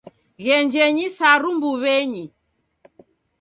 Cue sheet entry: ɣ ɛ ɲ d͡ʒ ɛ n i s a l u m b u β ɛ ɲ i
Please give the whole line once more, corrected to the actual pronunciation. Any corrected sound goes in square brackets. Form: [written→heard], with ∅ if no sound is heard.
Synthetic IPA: ɣ ɛ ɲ d͡ʒ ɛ [n→ɲ] i s a [l→ɾ] u m b u β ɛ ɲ i